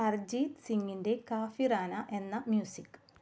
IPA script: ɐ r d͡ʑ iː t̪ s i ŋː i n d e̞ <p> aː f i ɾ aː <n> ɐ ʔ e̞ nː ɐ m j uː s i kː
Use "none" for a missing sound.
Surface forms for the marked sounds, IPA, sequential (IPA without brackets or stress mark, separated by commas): k, n